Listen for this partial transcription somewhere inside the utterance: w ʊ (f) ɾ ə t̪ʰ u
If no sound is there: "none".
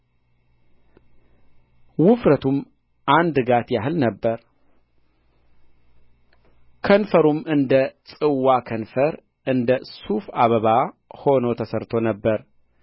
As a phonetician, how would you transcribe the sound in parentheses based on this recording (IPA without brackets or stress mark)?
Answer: f